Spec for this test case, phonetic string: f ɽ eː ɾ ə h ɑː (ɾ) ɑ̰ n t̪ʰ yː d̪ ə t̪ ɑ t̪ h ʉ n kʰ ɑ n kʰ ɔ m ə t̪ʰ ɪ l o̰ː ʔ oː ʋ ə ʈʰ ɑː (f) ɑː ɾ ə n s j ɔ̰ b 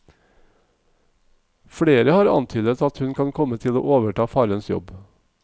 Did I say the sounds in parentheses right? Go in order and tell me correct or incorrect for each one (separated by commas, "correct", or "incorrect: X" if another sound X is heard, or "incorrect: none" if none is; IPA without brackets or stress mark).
correct, correct